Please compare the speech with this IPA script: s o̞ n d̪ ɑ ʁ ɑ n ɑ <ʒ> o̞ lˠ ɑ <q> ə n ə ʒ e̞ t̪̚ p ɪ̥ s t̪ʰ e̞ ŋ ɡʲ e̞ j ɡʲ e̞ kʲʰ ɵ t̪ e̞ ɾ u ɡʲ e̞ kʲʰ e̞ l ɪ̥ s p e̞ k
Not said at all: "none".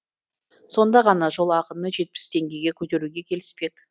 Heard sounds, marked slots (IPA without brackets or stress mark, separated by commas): ʒ, q